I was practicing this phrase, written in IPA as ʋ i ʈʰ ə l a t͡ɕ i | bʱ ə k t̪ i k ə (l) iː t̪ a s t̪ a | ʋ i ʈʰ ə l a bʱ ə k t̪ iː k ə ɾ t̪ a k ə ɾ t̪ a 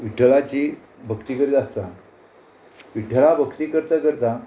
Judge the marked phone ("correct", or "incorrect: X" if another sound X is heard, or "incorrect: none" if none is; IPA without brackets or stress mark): incorrect: ɾ